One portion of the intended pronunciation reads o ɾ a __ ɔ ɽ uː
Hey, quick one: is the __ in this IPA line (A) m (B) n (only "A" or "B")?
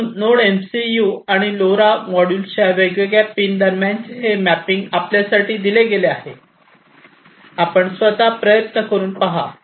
A